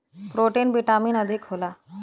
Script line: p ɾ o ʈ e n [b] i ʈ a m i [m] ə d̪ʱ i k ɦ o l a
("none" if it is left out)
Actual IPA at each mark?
b, n

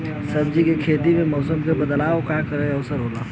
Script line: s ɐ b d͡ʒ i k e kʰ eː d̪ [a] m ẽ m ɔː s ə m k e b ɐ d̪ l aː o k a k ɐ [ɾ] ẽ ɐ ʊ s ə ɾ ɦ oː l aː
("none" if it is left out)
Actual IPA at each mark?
i, ɾ

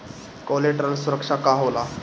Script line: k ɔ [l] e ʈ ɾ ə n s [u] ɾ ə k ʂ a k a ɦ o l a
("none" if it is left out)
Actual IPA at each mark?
l, u

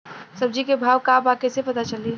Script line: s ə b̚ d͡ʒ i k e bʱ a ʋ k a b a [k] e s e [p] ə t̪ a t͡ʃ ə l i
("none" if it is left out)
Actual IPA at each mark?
k, p

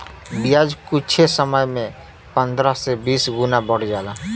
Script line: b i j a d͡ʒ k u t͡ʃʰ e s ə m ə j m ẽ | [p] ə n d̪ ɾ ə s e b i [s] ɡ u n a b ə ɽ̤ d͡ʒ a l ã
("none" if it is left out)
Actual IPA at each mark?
p, s

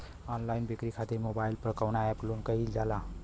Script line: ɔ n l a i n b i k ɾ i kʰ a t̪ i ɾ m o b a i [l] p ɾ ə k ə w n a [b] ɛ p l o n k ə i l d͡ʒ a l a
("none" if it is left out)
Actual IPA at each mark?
l, none

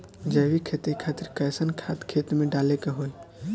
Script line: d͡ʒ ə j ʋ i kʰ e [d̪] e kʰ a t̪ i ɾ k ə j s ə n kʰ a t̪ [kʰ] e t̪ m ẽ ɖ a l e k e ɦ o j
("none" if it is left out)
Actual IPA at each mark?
t̪, kʰ

